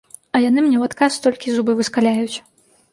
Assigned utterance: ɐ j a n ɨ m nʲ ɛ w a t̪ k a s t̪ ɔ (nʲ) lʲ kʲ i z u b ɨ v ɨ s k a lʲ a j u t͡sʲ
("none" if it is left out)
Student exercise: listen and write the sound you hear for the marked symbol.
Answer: none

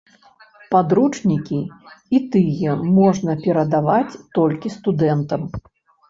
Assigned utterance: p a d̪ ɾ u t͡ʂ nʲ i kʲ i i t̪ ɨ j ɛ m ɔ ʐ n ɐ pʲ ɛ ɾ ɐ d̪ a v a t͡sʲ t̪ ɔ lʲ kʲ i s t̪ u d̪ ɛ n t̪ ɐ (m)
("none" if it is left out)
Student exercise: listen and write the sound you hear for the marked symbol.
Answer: m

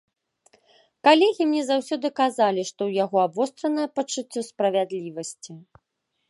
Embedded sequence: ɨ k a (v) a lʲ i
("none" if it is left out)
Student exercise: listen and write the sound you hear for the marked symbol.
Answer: z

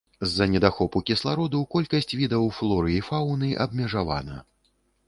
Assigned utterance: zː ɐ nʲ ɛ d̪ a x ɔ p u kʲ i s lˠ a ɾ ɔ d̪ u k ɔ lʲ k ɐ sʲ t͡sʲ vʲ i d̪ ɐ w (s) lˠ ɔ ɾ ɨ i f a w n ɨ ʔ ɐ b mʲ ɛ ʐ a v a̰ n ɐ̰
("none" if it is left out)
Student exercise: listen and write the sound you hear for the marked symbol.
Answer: f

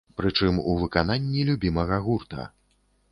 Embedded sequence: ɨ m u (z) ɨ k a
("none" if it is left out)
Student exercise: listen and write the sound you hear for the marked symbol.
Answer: v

